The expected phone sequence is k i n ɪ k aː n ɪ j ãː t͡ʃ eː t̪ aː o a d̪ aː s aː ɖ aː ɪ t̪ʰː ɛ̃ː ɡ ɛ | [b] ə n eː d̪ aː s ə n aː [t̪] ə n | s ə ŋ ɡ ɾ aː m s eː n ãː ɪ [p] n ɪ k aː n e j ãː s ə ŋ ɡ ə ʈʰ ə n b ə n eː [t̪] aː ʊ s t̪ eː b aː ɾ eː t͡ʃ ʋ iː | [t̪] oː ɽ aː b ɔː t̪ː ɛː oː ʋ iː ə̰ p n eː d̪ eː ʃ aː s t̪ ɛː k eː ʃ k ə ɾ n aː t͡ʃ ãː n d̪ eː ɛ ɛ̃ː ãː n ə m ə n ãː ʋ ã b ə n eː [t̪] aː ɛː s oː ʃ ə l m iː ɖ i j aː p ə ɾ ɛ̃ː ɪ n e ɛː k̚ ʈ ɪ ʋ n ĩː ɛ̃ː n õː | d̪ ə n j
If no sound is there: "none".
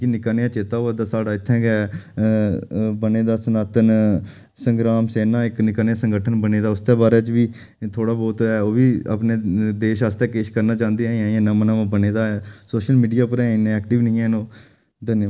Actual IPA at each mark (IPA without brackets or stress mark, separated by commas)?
b, t̪, k, d̪, t̪ʰ, d̪